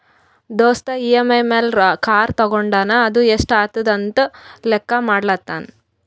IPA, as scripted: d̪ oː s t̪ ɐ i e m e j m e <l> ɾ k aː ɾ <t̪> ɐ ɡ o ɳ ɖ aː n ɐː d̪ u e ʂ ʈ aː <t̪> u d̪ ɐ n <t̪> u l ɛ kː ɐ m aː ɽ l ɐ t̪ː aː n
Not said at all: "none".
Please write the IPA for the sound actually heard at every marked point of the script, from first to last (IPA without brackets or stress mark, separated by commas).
l, t̪, t̪, t̪